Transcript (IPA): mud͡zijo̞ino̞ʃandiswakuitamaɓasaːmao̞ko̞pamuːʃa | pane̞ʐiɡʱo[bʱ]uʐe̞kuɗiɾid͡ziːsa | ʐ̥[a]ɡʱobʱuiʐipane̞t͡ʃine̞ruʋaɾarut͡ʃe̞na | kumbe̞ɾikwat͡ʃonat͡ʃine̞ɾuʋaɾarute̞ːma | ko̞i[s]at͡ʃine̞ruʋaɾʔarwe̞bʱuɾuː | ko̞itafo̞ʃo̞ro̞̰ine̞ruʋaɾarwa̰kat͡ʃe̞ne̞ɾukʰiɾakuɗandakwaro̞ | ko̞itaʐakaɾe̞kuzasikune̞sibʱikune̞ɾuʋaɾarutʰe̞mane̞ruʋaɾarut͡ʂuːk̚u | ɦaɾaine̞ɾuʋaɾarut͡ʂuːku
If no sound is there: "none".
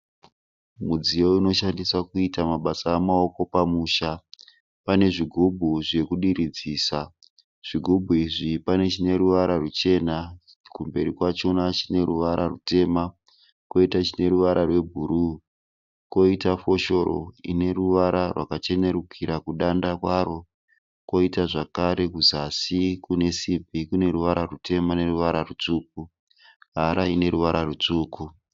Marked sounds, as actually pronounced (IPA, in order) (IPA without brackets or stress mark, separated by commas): bʱ, i, t